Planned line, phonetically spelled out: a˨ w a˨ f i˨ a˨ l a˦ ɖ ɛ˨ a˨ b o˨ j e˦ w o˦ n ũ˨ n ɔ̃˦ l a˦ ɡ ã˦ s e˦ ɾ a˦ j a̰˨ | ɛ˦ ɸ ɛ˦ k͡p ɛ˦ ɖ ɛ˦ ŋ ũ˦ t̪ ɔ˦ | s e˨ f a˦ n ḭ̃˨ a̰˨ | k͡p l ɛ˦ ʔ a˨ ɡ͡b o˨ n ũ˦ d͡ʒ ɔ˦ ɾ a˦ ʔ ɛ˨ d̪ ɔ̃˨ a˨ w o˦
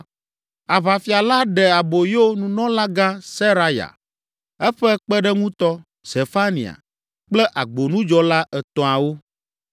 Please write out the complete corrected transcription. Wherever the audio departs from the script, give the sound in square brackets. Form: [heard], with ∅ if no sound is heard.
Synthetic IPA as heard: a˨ [β] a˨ f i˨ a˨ l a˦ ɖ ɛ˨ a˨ b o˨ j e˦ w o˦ n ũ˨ n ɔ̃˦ l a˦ ɡ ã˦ s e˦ ɾ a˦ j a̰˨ | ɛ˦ ɸ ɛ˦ k͡p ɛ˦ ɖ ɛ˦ ŋ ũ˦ t̪ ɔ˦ | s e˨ f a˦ n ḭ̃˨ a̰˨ | k͡p l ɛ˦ ʔ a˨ ɡ͡b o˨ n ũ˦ d͡ʒ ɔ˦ [l] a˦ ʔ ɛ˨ [t̪] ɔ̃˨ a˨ w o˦

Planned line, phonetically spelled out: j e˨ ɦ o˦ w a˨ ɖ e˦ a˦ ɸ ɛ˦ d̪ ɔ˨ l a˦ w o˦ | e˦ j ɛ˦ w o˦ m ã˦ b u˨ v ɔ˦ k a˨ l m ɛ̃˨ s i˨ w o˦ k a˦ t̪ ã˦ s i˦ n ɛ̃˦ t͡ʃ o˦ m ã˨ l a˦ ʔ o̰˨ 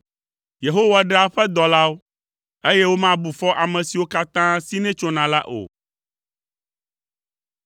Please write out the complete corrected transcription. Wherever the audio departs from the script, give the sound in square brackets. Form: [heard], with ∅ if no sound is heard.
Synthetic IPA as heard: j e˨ ɦ o˦ w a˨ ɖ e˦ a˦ ɸ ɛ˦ d̪ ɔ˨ l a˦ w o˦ | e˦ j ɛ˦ w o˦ m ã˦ b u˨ [f] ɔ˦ [ʔ] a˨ [∅] m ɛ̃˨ s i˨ w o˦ k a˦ t̪ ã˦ s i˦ n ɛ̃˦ t͡ʃ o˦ [n] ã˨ l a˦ ʔ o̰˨

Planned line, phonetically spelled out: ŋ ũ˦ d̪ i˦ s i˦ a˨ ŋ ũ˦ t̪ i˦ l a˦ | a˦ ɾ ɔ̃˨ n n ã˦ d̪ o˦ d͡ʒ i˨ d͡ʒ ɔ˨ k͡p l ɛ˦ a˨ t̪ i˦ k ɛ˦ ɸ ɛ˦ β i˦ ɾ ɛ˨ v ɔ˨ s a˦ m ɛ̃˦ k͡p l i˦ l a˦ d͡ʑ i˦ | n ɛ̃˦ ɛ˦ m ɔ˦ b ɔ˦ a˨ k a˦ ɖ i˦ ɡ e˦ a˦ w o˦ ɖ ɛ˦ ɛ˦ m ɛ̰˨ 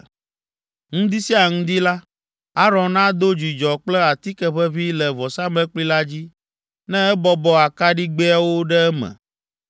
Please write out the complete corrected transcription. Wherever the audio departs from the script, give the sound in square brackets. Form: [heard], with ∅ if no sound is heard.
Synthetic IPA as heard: ŋ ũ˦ d̪ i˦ s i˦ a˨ ŋ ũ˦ [d̪] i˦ l a˦ | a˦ ɾ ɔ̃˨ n n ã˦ d̪ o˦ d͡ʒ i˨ d͡ʒ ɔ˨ k͡p l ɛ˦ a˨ t̪ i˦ k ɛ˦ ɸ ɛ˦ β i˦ [l] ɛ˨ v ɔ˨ s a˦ m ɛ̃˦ k͡p l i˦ l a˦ d͡ʑ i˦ | n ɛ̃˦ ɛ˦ [b] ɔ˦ b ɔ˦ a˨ k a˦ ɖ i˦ [ɡ͡b] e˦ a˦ w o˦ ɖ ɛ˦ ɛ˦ m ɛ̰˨

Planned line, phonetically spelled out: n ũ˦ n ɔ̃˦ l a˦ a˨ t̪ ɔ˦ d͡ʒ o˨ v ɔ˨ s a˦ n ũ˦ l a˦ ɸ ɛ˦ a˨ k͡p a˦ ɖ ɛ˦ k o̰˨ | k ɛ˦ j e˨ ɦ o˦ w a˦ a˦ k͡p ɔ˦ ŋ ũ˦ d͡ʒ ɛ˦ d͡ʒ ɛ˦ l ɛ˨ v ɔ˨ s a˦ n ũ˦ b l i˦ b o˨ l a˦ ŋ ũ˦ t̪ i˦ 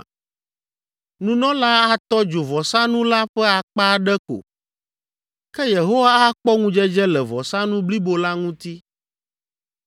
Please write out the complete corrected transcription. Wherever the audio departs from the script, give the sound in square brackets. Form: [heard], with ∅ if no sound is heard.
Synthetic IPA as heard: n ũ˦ n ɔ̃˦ l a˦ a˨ t̪ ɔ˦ d͡ʒ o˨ v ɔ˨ s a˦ n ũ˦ l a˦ ɸ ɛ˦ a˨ k͡p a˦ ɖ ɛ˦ k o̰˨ | k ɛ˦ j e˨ ɦ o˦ w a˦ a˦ k͡p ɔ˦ ŋ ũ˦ d͡ʒ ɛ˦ d͡ʒ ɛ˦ l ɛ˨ v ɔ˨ s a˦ n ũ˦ b l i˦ b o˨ l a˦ ŋ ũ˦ t̪ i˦

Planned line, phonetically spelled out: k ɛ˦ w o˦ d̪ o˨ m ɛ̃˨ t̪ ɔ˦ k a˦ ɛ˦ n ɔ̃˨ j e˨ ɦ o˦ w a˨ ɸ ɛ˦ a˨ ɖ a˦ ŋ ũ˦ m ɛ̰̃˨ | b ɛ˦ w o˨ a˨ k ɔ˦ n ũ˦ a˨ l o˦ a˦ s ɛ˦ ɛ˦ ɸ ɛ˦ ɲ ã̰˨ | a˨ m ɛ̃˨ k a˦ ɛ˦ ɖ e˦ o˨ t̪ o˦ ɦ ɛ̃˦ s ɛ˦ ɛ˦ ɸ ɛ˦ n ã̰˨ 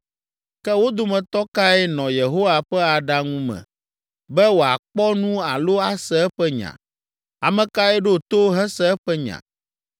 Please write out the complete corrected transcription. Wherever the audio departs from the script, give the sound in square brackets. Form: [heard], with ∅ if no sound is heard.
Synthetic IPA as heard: k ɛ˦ w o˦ d̪ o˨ m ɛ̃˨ t̪ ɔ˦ k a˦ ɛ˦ n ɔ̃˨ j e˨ ɦ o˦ w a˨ ɸ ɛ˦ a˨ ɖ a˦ ŋ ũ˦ m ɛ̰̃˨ | b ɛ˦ w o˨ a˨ [k͡p] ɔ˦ n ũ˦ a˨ l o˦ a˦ s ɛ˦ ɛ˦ ɸ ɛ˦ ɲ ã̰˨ | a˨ m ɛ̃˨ k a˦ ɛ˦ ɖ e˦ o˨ t̪ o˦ ɦ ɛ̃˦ s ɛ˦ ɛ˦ ɸ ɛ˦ [ɲ] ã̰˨

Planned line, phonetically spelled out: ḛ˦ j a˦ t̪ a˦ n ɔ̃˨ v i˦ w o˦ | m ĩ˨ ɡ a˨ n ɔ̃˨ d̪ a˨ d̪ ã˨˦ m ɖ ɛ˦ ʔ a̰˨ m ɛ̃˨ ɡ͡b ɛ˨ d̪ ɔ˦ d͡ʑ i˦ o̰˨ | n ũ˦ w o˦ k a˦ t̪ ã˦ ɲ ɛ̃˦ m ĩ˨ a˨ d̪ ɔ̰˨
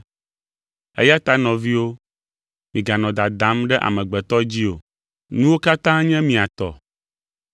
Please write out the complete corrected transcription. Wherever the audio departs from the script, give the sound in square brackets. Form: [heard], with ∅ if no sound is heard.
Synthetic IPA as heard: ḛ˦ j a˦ t̪ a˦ n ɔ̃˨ v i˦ w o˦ | m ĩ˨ ɡ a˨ n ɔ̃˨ d̪ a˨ d̪ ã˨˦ m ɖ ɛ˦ ʔ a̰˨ m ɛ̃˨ ɡ͡b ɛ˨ [t̪] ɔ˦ d͡ʑ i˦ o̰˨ | n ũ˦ w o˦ k a˦ t̪ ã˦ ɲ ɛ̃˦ m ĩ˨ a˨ [t̪] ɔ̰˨

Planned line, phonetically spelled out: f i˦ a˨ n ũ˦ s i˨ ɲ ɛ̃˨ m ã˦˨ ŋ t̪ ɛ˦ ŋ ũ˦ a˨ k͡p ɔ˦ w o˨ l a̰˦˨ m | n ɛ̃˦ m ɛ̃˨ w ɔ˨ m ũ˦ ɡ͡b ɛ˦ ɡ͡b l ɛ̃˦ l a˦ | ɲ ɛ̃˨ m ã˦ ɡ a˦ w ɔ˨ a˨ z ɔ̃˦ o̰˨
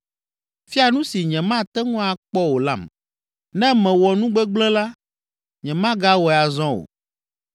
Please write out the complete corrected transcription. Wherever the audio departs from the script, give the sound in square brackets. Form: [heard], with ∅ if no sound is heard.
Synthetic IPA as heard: f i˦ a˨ n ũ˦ s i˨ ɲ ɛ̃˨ m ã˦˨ [∅] t̪ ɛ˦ ŋ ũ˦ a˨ k͡p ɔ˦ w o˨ l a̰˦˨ m | n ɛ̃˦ m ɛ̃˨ w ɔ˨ [n] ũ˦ ɡ͡b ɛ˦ ɡ͡b l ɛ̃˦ l a˦ | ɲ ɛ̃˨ m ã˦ ɡ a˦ w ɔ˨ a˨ z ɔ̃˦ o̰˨

